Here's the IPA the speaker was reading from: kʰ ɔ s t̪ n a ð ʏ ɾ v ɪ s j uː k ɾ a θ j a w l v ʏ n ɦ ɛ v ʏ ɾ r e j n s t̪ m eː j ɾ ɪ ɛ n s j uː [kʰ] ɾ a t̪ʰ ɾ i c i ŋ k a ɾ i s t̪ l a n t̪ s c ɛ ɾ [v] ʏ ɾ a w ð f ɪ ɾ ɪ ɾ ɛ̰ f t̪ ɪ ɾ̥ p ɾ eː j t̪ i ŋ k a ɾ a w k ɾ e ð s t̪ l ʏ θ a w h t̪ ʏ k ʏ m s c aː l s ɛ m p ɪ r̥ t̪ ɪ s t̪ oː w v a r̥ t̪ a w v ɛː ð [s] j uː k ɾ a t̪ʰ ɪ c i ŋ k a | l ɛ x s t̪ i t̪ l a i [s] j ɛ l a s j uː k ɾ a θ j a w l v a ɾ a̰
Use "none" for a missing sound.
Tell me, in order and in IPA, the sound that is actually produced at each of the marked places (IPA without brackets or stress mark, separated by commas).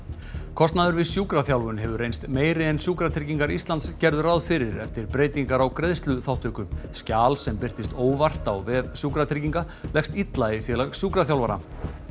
k, ð, s, f